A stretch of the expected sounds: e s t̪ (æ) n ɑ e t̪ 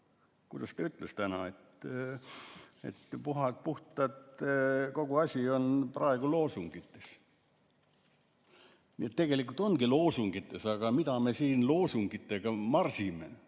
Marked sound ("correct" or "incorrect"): correct